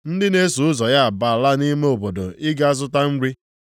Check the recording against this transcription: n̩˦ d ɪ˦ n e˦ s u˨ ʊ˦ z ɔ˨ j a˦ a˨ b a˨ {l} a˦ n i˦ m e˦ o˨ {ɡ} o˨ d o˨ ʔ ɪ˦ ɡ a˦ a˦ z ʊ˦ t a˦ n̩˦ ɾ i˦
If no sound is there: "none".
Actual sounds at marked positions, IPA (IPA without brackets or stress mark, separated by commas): l, b